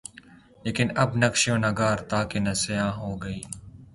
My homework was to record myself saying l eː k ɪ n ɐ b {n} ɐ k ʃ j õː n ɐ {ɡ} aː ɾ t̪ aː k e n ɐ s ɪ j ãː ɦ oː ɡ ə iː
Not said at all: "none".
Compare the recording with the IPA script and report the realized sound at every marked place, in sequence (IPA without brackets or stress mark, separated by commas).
n, ɡ